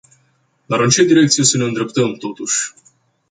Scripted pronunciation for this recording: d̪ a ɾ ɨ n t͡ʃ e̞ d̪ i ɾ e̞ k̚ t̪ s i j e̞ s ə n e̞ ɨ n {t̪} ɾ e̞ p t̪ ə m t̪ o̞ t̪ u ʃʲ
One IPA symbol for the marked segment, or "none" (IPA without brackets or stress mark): d̪